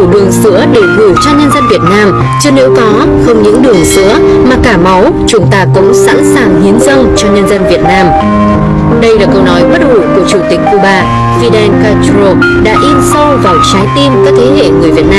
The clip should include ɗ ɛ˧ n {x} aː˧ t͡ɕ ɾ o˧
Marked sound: incorrect: k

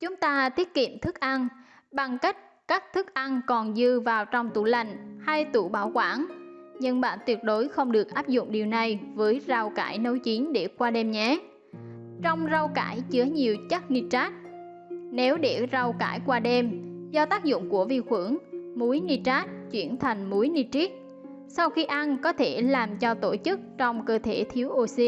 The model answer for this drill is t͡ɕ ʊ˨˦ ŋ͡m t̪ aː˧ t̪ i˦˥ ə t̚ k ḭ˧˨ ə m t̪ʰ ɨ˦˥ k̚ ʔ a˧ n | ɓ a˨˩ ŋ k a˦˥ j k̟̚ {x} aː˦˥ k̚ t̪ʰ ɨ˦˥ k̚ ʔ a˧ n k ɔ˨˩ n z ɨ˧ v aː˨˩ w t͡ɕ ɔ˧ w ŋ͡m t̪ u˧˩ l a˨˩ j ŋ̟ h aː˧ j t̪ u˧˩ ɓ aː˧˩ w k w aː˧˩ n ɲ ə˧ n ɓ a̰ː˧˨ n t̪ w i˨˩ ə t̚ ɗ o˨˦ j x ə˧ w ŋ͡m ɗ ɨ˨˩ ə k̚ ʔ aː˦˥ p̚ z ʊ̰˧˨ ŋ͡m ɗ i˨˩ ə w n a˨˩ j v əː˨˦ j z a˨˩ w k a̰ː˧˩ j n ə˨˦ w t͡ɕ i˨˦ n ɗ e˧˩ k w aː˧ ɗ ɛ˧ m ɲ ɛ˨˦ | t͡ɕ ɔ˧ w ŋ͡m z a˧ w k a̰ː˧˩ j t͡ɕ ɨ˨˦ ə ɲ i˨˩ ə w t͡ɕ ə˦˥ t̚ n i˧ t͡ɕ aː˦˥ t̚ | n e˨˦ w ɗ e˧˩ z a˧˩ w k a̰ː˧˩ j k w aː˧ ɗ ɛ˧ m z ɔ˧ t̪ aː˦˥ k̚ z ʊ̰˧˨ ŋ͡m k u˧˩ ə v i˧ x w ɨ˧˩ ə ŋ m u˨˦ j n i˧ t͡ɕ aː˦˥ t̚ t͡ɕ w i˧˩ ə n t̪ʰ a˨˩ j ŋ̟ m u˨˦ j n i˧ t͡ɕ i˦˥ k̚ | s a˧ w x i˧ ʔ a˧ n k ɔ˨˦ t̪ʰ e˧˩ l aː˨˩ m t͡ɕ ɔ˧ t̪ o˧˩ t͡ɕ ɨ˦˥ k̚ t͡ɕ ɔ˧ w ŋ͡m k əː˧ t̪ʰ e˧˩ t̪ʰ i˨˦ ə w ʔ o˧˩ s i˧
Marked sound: incorrect: k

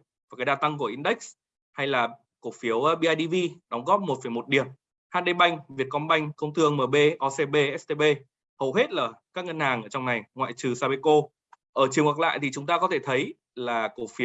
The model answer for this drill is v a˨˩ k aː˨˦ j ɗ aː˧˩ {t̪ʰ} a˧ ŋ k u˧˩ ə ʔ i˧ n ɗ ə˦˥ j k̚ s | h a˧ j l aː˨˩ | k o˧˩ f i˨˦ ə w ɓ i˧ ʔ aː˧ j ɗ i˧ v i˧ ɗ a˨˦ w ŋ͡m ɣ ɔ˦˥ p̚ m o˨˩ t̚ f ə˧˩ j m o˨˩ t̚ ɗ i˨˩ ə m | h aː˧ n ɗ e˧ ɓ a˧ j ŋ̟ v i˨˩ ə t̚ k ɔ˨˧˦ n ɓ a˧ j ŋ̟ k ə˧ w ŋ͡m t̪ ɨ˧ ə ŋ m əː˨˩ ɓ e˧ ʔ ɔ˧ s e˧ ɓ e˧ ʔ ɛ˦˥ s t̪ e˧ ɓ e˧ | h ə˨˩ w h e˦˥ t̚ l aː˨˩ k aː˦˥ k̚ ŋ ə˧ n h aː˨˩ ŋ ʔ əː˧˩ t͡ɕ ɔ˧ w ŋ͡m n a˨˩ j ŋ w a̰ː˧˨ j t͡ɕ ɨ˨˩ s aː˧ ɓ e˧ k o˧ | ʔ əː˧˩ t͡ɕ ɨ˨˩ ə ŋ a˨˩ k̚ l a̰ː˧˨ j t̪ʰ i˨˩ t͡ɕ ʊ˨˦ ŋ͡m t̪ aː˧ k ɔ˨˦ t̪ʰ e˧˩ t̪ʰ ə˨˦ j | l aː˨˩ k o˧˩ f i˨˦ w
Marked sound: incorrect: t̪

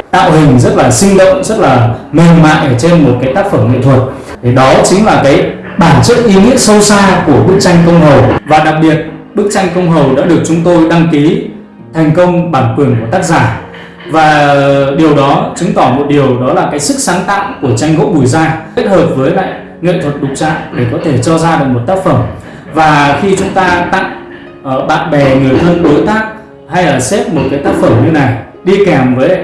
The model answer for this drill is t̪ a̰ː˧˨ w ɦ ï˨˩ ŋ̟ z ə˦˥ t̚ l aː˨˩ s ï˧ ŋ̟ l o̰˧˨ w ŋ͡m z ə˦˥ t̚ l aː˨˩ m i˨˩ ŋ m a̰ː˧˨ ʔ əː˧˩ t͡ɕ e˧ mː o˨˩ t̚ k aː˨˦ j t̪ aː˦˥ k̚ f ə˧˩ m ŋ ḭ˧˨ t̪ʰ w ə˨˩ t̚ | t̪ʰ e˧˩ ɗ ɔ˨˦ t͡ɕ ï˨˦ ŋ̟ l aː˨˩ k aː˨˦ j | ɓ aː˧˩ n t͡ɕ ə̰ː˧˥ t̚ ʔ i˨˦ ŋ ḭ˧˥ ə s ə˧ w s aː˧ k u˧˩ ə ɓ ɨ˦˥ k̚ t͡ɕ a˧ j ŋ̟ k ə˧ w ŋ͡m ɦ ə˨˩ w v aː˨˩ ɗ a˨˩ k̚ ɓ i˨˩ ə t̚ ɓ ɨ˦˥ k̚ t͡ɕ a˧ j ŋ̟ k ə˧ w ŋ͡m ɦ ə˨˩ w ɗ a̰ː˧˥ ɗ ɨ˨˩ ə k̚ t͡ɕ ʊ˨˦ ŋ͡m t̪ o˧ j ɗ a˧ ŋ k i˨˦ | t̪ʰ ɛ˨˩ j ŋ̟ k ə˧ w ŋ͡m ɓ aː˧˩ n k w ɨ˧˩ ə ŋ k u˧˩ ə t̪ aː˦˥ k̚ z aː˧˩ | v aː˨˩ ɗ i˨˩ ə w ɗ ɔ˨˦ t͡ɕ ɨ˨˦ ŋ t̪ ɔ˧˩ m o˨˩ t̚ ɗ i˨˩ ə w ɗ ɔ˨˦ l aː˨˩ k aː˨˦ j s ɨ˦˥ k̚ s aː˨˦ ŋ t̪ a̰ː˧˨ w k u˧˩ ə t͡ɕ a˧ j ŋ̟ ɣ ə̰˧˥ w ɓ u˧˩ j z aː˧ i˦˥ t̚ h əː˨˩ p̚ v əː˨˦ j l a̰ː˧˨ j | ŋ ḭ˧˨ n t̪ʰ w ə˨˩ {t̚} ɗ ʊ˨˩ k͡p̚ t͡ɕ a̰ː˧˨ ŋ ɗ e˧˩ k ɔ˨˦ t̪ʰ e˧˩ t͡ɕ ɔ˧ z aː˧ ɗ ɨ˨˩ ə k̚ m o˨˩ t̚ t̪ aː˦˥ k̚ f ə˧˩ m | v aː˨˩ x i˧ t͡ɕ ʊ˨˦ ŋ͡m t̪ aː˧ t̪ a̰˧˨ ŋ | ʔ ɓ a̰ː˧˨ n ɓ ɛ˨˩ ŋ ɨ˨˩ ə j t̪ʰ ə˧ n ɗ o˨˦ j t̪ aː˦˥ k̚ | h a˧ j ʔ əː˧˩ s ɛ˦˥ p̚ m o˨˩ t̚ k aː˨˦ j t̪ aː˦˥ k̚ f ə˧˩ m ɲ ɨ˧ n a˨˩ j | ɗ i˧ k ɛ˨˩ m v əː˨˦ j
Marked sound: correct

